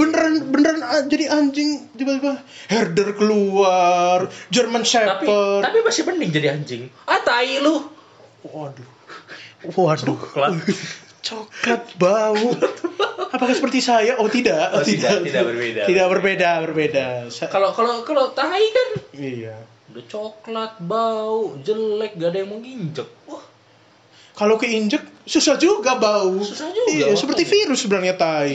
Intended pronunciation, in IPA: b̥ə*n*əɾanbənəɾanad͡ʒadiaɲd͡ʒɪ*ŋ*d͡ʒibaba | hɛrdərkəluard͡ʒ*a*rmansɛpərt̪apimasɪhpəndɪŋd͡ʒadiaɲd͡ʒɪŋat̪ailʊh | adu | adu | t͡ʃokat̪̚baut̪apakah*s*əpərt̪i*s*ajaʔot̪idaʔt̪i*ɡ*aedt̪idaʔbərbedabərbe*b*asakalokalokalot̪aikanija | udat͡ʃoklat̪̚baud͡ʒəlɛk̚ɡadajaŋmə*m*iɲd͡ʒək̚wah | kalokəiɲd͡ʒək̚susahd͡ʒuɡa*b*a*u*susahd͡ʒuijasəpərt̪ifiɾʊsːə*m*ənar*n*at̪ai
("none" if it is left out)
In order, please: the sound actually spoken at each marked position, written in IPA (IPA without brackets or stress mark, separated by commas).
n, ŋ, ə, s, s, d, d, ŋ, b, u, b, ɲ